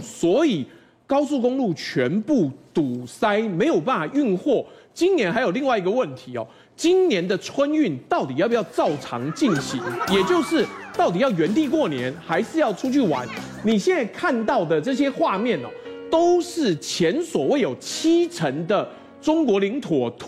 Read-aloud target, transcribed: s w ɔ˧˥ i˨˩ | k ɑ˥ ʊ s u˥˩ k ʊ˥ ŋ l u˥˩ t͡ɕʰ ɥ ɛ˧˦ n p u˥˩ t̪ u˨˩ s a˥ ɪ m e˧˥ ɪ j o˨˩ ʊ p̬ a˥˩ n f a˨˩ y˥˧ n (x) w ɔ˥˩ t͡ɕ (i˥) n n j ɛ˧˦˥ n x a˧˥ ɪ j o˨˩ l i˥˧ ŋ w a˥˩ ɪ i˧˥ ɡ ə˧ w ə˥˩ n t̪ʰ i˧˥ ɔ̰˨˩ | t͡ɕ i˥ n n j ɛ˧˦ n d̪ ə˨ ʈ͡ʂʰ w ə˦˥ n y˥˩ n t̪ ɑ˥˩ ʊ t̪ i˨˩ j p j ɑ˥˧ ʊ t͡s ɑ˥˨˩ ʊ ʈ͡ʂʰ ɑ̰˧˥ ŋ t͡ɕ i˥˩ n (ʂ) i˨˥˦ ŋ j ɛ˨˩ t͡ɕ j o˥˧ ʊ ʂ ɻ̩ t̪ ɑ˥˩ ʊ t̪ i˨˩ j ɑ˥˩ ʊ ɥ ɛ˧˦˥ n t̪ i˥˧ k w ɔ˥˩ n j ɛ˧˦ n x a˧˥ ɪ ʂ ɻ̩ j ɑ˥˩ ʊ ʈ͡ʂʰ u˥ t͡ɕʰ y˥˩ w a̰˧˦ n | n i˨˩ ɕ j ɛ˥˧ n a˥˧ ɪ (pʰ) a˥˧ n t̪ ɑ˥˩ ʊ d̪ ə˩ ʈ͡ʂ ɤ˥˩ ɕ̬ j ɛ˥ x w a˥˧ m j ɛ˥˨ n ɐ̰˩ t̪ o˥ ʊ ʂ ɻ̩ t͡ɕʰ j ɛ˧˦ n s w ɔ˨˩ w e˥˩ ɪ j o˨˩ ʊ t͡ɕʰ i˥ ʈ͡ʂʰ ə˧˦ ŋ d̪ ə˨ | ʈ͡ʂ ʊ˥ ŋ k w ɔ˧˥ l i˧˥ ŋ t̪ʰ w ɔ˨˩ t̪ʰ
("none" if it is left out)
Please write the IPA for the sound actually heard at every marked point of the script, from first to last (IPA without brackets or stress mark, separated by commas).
x, i˥, ɕ, kʰ